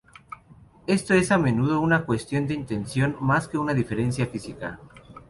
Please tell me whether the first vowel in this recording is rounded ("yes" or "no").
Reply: no